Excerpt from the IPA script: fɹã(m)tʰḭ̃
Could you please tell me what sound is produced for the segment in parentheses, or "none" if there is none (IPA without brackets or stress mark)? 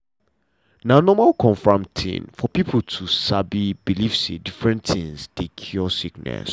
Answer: m